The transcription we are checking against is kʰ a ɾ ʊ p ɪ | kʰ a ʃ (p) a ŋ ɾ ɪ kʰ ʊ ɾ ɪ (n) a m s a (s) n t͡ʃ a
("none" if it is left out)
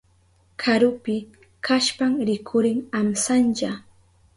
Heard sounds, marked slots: p, ŋ, none

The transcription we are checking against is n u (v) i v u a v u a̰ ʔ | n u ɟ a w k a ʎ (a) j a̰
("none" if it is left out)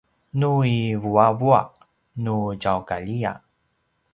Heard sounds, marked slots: none, i

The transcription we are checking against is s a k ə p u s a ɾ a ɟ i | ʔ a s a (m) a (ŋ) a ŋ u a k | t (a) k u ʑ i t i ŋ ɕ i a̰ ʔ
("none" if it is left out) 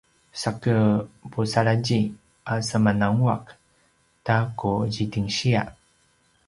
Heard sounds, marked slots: m, n, a

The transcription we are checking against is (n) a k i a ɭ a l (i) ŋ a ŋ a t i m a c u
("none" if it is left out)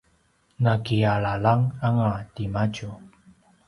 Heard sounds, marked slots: n, a

